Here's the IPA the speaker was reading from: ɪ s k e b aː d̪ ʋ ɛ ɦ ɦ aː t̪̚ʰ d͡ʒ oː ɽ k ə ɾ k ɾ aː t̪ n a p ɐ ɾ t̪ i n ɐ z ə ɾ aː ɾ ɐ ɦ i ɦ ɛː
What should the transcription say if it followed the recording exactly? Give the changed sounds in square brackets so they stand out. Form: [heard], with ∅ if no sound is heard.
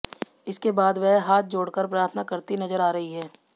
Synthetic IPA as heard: ɪ s k e b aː d̪ ʋ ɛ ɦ ɦ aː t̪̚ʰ d͡ʒ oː ɽ k ə ɾ [p] ɾ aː [t̪ʰ] n a [k] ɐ ɾ t̪ i n ɐ z ə ɾ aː ɾ ɐ ɦ i ɦ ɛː